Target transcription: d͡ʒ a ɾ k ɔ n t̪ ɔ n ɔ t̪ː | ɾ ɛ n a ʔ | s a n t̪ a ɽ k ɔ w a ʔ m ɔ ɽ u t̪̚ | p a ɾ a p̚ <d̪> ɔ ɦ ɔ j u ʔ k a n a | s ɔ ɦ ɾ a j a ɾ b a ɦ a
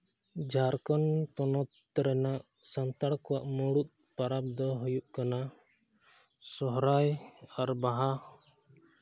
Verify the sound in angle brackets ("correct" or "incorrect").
correct